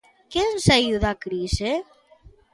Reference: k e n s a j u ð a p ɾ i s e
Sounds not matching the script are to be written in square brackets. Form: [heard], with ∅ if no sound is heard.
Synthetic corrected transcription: k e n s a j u ð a [k] ɾ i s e